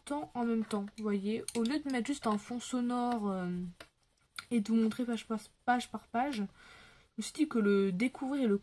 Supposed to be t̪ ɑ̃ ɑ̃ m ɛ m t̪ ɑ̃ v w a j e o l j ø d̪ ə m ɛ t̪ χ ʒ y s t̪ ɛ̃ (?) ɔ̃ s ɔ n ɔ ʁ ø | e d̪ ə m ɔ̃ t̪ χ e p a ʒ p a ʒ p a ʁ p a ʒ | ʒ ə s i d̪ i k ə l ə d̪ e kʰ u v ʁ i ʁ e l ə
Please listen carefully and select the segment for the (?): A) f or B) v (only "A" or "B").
A